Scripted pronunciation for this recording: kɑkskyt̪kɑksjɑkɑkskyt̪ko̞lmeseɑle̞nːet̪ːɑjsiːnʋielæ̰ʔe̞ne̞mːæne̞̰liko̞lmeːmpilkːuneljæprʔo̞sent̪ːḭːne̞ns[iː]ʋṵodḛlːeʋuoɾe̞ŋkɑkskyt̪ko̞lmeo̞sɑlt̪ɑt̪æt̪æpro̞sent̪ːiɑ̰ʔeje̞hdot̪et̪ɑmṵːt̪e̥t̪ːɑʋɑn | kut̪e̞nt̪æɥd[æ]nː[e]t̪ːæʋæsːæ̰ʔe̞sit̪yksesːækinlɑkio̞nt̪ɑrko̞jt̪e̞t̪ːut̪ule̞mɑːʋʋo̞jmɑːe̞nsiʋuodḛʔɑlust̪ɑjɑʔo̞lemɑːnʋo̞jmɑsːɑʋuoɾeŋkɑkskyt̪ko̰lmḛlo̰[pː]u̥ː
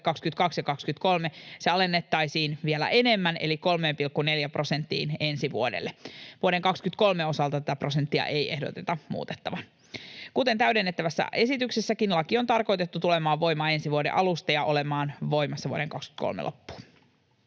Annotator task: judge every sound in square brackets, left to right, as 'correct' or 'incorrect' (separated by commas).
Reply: incorrect, incorrect, correct, correct